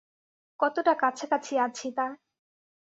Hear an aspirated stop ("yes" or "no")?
yes